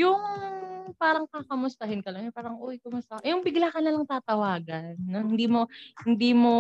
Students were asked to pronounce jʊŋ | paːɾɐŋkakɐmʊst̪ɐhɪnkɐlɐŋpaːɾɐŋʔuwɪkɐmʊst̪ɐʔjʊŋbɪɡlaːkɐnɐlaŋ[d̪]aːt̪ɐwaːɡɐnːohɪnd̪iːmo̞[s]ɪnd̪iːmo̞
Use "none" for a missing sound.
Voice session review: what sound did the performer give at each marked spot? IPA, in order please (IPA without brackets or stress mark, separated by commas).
t̪, h